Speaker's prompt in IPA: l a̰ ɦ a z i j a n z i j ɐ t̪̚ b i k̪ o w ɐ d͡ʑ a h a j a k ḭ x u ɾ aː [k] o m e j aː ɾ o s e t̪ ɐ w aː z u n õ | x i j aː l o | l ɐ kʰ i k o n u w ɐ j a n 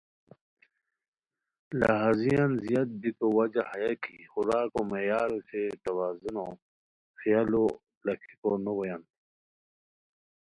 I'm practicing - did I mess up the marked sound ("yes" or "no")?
no